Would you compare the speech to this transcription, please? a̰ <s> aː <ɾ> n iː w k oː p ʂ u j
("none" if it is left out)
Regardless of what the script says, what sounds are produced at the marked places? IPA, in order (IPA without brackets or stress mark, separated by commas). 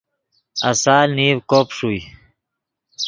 s, l